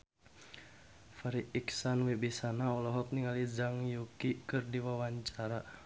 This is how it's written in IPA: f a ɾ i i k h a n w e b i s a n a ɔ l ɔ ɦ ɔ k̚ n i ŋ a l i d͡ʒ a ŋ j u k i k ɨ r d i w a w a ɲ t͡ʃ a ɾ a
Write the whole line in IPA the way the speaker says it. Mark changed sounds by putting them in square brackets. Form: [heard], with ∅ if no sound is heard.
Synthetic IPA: f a ɾ i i k [s] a n w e b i s a n a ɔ l ɔ ɦ ɔ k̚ n i ŋ a l i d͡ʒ a ŋ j u k i k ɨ r d i w a w a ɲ t͡ʃ a ɾ a